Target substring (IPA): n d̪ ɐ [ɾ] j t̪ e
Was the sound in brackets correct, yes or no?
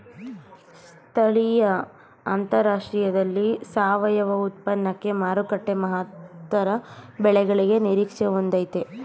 no